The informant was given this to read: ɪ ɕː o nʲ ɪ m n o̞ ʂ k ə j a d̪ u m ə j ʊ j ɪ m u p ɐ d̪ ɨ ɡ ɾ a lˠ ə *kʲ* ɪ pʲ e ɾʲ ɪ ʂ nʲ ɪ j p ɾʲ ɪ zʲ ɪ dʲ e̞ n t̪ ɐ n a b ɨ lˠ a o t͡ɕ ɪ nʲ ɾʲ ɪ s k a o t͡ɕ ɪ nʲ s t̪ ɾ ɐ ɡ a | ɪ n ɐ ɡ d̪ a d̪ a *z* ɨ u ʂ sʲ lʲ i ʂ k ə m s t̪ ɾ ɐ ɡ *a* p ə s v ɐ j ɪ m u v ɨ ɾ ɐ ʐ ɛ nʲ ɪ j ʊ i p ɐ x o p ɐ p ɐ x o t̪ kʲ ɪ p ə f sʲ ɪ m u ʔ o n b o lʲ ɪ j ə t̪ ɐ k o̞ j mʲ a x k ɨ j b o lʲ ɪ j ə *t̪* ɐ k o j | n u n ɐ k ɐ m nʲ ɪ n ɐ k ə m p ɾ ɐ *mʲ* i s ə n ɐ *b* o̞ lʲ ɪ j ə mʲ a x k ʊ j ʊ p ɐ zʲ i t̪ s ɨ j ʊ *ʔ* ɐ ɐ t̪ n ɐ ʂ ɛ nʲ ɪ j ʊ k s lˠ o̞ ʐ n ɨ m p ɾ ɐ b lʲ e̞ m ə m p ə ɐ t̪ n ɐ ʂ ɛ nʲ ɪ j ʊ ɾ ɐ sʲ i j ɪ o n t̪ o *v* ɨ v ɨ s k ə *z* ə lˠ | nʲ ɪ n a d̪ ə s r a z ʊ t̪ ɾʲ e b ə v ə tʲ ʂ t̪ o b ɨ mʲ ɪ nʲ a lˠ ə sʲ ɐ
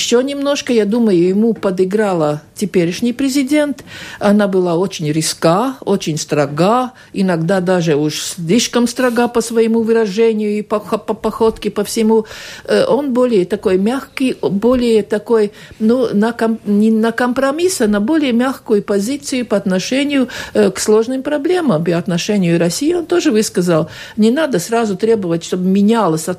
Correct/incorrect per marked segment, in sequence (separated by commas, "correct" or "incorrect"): incorrect, incorrect, correct, correct, correct, correct, incorrect, incorrect, correct